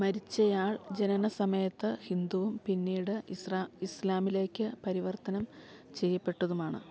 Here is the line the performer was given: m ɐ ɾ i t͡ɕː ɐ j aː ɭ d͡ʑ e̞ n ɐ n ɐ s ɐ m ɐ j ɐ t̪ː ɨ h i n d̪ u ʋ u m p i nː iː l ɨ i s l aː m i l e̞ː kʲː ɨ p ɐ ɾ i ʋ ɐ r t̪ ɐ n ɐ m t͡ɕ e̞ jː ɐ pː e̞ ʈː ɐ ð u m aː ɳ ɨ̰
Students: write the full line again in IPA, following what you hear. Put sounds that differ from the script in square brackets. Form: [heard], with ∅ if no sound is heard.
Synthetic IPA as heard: m ɐ ɾ i t͡ɕː ɐ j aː ɭ d͡ʑ e̞ n ɐ n ɐ s ɐ m ɐ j ɐ t̪ː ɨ h i n d̪ u ʋ u m p i nː iː [ɽ] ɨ i s l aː m i l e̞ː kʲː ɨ p ɐ ɾ i ʋ ɐ r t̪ ɐ n ɐ m t͡ɕ e̞ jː ɐ pː e̞ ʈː ɐ ð u m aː ɳ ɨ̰